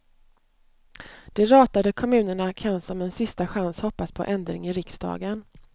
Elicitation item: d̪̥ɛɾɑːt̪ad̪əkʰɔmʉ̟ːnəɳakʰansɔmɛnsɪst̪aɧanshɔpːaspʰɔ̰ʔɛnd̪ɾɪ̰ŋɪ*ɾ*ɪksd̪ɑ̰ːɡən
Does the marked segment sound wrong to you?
no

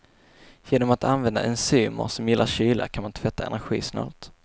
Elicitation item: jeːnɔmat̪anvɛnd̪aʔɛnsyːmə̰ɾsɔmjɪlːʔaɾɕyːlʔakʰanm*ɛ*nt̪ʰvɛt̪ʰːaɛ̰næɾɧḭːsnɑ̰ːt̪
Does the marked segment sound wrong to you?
yes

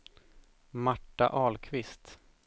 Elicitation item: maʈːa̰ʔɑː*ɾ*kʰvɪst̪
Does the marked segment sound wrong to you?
yes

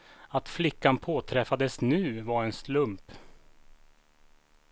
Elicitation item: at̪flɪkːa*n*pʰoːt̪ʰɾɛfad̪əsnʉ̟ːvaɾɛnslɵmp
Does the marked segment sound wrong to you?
no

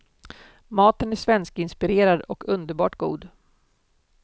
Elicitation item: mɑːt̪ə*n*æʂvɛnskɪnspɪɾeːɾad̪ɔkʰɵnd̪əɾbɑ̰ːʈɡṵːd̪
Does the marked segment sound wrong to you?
no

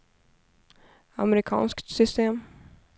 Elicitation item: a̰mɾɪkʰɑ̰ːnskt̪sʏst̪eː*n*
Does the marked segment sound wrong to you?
yes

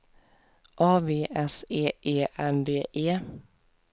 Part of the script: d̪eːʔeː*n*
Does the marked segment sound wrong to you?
yes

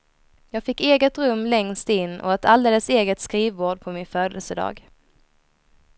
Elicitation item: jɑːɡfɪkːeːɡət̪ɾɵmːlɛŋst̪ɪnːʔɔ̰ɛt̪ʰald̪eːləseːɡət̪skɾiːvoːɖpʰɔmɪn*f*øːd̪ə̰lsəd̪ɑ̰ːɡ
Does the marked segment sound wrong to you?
no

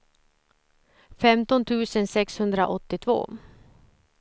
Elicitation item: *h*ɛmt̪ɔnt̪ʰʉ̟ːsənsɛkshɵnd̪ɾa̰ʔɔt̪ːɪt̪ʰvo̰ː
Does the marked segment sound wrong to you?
yes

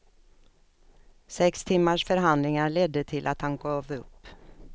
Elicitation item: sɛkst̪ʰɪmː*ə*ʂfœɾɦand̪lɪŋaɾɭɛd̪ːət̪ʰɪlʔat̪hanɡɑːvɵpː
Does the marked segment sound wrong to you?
yes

